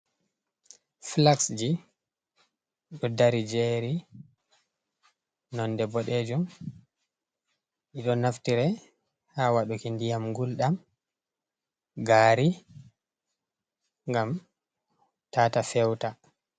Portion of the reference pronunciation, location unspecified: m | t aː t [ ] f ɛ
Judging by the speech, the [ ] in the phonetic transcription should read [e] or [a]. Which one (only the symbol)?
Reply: a